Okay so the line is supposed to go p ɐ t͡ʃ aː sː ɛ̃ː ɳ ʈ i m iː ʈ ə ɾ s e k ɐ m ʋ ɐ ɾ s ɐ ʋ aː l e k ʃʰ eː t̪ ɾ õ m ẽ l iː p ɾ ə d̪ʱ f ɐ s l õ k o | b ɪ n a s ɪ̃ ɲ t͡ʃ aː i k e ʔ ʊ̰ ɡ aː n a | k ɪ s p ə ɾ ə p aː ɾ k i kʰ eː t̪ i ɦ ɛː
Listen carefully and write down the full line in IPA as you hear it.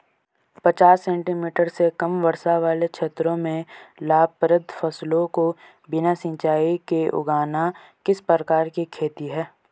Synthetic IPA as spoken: p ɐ t͡ʃ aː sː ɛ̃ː ɳ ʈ i m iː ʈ ə ɾ s e k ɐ m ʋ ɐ ɾ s a ʋ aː l e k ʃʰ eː t̪ ɾ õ m ẽ l aː p ɾ ə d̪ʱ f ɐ s l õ k o | b ɪ n a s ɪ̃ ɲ t͡ʃ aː i k e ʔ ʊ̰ ɡ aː n a | k ɪ s p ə ɾ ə k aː ɾ k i kʰ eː t̪ i ɦ ɛː